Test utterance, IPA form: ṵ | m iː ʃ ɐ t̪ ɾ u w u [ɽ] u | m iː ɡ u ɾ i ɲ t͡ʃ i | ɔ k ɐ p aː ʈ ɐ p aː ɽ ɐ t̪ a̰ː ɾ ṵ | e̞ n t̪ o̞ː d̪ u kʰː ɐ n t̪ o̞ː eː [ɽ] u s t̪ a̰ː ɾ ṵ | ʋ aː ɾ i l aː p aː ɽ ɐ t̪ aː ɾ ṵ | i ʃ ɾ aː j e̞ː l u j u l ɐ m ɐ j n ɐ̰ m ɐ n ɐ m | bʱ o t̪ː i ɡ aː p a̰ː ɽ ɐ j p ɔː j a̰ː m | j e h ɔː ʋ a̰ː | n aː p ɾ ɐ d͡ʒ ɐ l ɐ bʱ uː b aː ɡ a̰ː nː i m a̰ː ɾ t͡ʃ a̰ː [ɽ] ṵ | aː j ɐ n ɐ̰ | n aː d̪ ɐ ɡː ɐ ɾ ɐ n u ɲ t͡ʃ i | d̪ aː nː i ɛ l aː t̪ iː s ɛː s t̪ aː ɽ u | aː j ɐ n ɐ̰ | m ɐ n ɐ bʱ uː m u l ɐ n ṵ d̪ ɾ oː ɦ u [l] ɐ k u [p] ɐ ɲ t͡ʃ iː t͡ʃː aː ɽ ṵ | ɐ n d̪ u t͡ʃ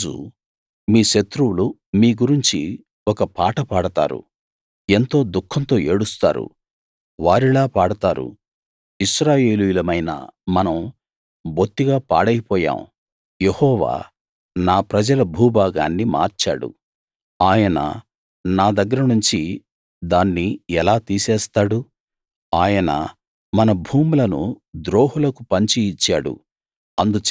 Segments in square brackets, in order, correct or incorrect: incorrect, correct, correct, correct, correct

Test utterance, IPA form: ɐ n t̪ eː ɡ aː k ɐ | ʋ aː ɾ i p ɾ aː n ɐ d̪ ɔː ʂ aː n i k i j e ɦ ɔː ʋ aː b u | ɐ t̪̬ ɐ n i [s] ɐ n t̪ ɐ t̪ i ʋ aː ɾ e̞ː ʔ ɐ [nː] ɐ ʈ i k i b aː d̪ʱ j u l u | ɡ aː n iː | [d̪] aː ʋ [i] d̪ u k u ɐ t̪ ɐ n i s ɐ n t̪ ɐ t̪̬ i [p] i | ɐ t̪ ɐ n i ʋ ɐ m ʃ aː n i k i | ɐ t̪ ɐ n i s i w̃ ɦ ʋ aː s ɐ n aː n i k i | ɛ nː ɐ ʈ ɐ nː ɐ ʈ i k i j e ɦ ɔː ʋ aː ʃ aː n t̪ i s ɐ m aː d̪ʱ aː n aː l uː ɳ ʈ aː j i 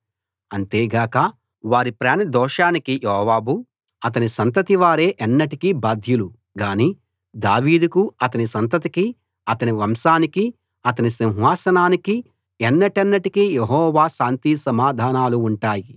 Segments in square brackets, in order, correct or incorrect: correct, correct, correct, incorrect, incorrect

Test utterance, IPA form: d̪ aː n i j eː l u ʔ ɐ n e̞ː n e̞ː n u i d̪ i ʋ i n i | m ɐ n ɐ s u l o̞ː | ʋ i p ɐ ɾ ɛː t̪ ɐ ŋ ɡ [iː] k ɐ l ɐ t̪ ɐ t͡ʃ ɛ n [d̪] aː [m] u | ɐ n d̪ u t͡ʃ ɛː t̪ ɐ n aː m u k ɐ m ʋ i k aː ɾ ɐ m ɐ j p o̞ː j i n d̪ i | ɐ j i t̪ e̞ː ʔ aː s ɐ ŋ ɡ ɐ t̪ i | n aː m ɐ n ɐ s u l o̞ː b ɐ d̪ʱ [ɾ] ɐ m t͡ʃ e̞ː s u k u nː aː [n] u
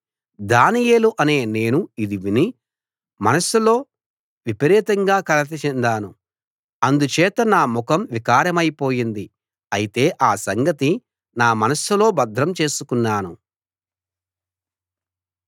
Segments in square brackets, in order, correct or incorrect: incorrect, correct, incorrect, correct, correct

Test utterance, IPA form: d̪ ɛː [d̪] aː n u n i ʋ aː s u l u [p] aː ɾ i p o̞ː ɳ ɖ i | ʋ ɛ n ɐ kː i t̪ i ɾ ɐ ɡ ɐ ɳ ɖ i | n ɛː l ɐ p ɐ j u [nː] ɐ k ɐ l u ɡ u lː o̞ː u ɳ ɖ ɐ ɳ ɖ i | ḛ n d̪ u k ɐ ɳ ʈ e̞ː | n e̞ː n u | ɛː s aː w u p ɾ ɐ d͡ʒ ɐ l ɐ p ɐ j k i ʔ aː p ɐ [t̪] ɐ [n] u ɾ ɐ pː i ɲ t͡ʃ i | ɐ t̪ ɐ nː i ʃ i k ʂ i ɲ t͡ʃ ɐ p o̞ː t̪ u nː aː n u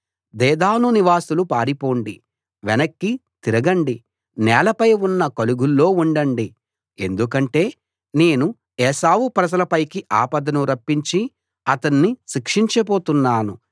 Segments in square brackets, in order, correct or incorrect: correct, correct, correct, incorrect, correct

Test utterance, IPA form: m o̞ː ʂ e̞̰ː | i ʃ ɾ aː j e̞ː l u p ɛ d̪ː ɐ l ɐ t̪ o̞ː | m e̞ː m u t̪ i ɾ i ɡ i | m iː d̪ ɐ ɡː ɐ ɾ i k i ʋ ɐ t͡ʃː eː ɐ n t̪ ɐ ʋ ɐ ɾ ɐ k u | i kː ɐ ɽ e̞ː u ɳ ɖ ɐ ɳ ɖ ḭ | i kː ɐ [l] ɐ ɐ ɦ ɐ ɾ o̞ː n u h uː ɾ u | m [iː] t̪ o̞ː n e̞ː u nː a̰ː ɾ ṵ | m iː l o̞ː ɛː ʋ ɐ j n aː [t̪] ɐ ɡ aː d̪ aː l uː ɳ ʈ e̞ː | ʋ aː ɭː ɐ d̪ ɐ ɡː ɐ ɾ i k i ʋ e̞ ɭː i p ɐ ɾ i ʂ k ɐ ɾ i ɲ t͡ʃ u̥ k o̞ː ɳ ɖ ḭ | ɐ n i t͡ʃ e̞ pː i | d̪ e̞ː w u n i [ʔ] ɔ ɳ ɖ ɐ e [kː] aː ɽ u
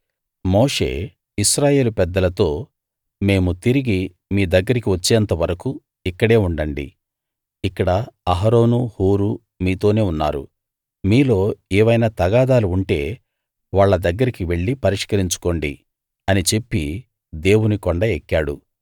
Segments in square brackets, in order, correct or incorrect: incorrect, correct, correct, incorrect, correct

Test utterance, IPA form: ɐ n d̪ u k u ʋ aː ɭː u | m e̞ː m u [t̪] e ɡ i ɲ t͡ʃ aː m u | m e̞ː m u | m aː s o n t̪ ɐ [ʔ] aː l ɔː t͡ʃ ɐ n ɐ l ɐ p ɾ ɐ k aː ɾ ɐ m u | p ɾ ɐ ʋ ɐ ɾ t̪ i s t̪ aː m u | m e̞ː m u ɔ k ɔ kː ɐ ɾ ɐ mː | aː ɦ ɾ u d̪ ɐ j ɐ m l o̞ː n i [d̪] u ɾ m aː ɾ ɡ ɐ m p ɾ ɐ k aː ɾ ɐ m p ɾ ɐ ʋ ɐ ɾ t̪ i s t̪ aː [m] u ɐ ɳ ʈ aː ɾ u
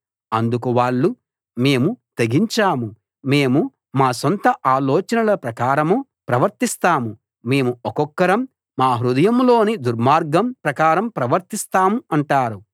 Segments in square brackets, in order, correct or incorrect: correct, correct, correct, correct

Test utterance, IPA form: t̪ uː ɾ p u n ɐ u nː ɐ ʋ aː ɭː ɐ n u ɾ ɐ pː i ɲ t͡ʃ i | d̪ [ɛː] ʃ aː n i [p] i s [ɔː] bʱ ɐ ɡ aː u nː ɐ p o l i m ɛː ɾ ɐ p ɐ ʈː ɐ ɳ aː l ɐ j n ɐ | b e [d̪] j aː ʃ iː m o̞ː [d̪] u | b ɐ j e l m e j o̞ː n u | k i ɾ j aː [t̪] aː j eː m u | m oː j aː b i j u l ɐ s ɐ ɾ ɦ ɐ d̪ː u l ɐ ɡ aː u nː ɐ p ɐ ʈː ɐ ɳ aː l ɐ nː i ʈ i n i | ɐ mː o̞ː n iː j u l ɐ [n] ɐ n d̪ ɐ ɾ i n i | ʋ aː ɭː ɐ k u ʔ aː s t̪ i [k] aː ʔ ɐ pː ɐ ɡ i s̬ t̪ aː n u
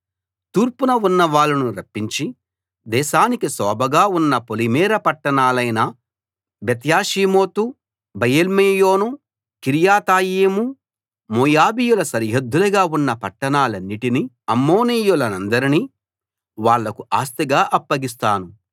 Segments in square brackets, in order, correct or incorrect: correct, incorrect, correct, incorrect, incorrect, correct, correct, incorrect

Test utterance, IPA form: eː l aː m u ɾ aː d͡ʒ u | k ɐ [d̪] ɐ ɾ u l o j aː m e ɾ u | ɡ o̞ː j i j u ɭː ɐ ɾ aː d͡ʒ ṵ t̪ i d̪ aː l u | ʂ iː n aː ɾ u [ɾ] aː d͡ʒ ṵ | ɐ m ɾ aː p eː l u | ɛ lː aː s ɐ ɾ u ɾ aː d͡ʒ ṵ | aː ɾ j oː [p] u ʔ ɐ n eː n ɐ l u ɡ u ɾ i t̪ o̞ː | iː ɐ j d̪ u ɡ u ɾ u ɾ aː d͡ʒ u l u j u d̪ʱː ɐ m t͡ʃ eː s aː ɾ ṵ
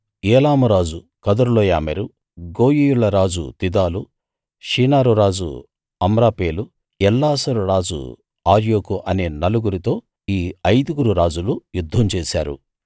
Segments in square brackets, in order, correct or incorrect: correct, correct, incorrect

